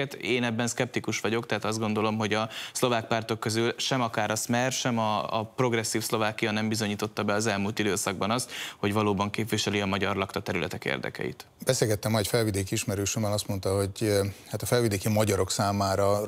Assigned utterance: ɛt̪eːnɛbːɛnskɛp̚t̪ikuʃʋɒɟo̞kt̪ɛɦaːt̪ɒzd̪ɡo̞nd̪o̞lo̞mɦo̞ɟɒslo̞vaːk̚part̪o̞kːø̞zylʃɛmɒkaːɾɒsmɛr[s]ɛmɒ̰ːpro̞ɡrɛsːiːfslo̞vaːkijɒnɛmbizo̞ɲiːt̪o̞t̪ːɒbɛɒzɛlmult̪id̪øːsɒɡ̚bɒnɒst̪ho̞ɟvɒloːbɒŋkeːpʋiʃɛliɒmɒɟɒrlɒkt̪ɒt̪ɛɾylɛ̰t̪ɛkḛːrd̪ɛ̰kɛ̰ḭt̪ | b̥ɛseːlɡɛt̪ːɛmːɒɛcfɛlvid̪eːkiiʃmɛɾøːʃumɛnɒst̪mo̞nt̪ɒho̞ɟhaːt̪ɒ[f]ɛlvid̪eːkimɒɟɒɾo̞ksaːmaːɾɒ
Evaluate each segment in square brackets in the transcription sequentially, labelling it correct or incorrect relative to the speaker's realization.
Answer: incorrect: ʃ, correct

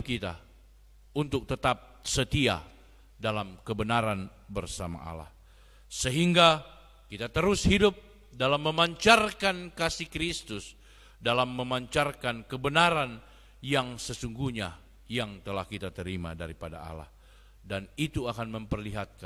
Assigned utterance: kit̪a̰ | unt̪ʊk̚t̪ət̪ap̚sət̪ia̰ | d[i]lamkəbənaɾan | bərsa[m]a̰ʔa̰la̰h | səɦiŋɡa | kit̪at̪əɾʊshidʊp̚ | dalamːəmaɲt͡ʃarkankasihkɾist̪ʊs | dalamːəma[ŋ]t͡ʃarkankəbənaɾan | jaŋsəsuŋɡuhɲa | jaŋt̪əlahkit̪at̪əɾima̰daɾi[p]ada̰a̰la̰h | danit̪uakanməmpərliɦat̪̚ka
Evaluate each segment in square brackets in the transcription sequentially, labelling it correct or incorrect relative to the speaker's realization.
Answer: incorrect: a, correct, incorrect: ɲ, correct

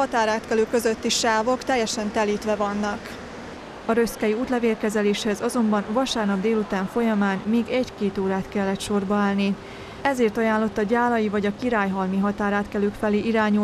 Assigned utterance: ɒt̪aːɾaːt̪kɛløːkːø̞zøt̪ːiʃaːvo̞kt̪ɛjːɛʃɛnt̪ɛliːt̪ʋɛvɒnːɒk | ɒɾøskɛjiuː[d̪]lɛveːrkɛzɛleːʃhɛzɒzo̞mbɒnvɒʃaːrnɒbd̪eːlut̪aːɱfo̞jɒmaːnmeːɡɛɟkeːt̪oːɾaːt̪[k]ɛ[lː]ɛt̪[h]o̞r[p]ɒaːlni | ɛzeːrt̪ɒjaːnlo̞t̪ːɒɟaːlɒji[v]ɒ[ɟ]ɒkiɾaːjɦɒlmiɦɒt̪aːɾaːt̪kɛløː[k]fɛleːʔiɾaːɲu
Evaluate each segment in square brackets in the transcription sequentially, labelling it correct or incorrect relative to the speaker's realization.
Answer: incorrect: t̪, correct, correct, incorrect: ʃ, incorrect: b, correct, correct, correct

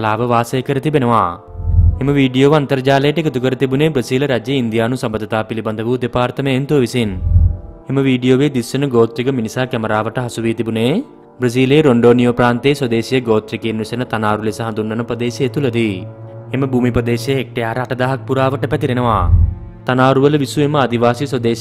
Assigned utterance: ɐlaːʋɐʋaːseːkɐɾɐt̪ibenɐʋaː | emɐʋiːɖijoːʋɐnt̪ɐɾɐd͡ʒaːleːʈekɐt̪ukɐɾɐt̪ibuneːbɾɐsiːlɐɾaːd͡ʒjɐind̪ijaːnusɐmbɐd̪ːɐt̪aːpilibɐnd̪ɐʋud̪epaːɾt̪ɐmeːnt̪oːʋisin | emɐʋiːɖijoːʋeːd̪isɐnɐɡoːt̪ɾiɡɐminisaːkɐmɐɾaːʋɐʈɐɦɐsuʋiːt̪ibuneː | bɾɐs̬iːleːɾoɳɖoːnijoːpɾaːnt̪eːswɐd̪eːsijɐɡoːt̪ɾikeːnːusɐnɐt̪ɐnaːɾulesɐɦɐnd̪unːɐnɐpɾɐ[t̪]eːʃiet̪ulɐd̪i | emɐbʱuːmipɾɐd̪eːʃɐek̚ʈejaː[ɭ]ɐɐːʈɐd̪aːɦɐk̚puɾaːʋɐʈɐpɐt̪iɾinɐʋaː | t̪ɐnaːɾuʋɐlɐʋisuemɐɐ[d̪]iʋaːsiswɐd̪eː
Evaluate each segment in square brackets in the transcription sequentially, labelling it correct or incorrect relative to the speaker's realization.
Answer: incorrect: d̪, incorrect: ɾ, correct

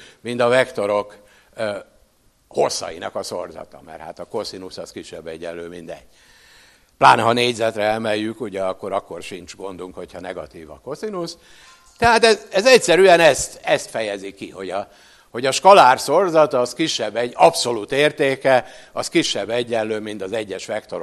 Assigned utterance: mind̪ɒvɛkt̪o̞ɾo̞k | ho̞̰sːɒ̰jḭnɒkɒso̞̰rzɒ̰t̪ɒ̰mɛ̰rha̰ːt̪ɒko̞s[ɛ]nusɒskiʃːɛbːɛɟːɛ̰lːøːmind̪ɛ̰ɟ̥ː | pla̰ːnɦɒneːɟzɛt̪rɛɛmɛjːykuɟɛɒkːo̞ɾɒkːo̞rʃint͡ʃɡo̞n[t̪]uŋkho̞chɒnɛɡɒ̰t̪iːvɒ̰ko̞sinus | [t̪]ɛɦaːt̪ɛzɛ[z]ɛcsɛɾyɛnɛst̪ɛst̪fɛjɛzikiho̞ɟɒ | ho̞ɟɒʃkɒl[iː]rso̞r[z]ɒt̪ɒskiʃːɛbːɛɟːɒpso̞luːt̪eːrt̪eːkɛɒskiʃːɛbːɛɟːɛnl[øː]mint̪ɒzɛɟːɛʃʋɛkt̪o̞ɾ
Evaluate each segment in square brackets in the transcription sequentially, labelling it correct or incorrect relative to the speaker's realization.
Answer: incorrect: i, incorrect: d̪, correct, correct, incorrect: aː, correct, correct

